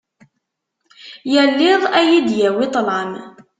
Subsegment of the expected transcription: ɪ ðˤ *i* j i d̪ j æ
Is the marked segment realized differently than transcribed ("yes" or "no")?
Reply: yes